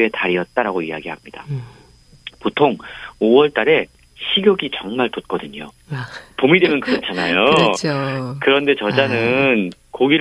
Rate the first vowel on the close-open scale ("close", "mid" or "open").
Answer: mid